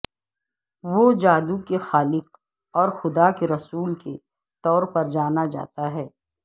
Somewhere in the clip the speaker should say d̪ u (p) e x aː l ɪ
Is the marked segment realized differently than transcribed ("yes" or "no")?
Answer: yes